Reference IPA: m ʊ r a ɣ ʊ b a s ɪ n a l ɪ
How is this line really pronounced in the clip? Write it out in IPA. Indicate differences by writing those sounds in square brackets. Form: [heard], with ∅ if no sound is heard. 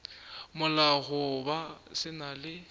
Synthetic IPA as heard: m ʊ [l] a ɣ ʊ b a s ɪ n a l ɪ